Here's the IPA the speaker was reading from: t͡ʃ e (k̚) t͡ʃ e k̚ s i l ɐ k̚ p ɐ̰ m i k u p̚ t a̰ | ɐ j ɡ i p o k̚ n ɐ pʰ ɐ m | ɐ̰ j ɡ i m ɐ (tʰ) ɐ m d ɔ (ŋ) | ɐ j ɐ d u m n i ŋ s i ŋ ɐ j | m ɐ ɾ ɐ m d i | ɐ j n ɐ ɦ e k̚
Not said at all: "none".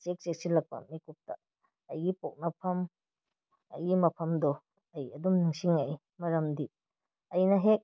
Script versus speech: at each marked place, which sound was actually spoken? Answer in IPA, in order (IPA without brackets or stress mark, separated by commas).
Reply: k̚, pʰ, none